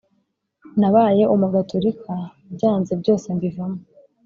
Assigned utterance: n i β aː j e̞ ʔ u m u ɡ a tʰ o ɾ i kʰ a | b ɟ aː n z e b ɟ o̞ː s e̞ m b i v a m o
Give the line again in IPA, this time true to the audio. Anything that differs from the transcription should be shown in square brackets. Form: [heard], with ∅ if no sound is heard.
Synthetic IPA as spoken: n [a] β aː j e̞ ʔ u m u ɡ a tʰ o ɾ i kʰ a | b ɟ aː n z e b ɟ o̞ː s e̞ m b i v a m o